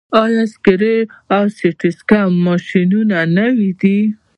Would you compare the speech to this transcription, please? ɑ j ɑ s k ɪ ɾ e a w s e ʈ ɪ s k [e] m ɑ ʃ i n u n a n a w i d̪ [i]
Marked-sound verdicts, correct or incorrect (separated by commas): incorrect, correct